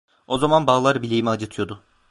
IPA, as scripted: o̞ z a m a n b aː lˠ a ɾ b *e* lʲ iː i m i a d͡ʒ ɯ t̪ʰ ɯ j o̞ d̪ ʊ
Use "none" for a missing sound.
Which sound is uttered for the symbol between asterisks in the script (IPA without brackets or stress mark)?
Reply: i